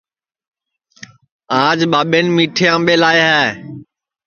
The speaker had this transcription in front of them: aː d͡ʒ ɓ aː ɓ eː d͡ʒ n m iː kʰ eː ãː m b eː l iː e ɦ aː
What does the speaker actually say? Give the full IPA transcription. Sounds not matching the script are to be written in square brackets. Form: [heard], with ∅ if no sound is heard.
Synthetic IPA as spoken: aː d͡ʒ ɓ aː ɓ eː [∅] n m iː [ʈʰ] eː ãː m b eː l [aː] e ɦ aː